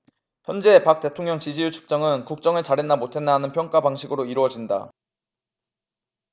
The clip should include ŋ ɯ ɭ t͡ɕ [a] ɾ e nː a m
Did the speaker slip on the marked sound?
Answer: no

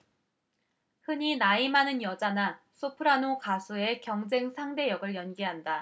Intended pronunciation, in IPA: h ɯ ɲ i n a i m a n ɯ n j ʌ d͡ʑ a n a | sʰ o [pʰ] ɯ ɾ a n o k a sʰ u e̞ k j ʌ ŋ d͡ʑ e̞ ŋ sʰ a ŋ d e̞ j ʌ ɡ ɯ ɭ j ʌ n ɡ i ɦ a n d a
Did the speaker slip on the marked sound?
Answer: no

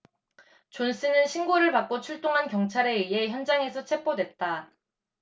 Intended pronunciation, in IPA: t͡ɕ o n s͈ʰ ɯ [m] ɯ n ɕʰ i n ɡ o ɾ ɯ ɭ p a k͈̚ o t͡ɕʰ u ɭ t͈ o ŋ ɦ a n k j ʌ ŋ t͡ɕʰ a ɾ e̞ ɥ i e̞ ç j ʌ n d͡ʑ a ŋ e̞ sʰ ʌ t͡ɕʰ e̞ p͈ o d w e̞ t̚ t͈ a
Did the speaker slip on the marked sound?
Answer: yes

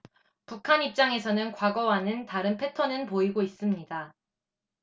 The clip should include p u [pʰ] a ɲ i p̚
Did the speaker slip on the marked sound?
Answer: yes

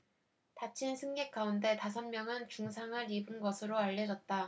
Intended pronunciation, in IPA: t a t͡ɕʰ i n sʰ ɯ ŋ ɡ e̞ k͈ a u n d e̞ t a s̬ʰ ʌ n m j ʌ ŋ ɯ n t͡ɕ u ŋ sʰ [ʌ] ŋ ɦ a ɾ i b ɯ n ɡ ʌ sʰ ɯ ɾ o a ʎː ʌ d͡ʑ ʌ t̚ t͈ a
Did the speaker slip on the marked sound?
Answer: yes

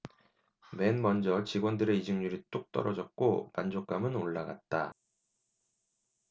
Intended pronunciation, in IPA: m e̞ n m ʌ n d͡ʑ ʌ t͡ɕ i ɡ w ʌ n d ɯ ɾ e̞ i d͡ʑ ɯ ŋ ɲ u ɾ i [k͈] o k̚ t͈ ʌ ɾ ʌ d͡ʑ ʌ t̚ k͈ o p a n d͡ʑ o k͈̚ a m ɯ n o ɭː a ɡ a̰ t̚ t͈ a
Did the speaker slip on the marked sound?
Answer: yes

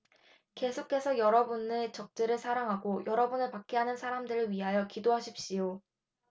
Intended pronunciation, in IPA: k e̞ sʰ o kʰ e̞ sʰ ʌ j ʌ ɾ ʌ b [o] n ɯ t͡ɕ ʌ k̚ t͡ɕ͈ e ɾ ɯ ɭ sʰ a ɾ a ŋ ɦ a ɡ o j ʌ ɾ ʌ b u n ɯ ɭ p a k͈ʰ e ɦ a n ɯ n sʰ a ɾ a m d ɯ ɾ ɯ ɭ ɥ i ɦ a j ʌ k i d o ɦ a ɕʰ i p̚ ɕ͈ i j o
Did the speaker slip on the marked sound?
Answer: yes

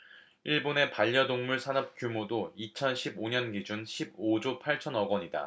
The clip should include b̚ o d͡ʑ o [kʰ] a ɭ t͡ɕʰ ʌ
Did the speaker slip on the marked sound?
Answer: yes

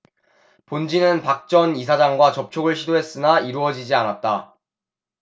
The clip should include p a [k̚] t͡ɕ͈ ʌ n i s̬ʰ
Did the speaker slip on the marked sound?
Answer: no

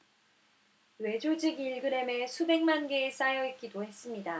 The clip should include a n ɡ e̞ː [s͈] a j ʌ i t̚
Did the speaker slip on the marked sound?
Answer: no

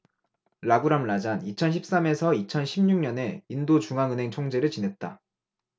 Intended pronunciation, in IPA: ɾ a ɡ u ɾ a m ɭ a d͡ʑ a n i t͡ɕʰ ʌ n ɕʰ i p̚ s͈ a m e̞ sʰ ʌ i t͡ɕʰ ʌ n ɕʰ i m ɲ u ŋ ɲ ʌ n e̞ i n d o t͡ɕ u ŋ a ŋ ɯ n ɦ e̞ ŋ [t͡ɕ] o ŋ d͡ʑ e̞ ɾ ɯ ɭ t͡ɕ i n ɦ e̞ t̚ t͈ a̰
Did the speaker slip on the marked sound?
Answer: yes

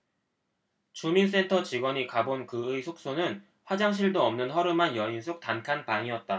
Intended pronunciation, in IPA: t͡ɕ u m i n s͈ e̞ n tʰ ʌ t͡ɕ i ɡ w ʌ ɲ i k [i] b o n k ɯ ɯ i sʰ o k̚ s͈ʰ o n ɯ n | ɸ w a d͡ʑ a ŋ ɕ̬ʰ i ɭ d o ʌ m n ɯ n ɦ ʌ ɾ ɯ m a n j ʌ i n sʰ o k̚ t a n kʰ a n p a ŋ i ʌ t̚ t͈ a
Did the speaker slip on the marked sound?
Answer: yes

